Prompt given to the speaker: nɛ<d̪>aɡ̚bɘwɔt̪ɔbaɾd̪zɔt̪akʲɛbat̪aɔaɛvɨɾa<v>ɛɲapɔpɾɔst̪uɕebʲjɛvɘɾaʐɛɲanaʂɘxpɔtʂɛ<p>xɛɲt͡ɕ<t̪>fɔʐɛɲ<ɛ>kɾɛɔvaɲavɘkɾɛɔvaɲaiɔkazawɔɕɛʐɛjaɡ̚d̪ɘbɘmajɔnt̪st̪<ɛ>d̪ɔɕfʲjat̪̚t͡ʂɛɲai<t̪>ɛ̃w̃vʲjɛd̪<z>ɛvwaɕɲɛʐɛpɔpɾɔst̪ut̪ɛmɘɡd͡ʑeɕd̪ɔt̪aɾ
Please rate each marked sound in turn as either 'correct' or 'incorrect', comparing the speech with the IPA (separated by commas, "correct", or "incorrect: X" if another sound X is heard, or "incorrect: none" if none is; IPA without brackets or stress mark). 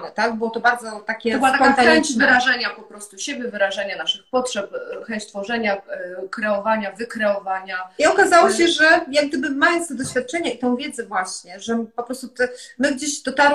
incorrect: t̪, incorrect: ʐ, correct, correct, incorrect: a, correct, correct, correct